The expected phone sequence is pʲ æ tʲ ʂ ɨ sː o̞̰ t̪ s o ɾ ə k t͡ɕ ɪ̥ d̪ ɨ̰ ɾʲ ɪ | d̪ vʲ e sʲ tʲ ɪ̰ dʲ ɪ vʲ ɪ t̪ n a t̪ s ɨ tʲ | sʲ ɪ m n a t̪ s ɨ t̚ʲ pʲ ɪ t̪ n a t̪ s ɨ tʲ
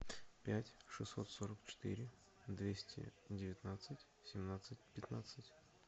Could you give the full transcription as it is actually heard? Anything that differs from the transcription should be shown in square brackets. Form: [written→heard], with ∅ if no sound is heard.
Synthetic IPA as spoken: pʲ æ tʲ ʂ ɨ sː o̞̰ t̪ s o ɾ ə k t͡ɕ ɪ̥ [d̪→t̪] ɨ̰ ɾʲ ɪ | d̪ vʲ e sʲ tʲ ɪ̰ dʲ ɪ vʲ ɪ t̪ n a t̪ s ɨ tʲ | sʲ ɪ m n a t̪ s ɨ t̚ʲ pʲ ɪ t̪ n a t̪ s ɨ tʲ